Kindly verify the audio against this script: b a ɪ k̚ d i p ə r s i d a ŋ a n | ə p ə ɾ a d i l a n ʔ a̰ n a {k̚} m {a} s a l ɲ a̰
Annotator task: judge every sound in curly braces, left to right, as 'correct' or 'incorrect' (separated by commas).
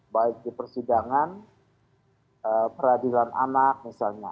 correct, incorrect